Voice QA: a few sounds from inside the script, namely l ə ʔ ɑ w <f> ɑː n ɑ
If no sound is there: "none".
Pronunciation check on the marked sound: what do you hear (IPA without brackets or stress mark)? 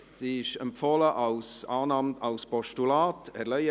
s